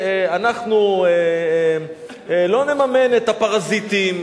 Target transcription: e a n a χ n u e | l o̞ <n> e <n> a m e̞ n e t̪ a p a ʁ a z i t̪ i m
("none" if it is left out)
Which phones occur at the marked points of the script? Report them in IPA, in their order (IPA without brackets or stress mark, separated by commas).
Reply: n, m